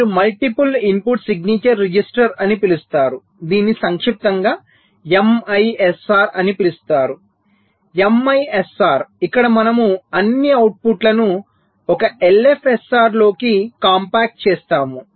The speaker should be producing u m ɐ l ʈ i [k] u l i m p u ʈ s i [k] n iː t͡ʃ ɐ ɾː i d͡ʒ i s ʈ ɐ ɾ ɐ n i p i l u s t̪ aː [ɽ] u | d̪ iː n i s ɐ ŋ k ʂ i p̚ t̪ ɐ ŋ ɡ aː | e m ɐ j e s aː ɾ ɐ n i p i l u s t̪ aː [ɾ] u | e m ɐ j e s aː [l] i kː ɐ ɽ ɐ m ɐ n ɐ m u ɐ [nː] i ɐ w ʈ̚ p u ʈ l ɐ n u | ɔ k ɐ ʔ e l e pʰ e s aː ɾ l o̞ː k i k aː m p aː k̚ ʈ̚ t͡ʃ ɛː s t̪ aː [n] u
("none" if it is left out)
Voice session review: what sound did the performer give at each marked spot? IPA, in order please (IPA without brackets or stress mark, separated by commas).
p, ɡ, ɾ, ɾ, ɾ, nː, m